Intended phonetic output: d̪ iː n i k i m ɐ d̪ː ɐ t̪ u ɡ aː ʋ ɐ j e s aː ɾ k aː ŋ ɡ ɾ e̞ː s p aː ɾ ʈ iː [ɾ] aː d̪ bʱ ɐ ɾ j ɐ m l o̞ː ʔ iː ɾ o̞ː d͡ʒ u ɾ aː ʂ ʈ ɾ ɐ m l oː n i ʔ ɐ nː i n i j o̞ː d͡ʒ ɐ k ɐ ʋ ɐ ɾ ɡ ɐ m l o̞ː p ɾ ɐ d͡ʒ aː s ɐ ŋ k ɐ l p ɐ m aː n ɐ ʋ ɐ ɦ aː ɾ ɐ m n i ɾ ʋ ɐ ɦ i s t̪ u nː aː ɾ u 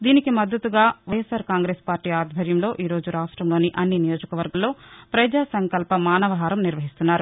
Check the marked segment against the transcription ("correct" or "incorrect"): incorrect